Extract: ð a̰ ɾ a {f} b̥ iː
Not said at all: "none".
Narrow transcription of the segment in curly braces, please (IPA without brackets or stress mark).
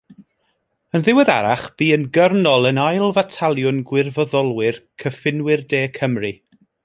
χ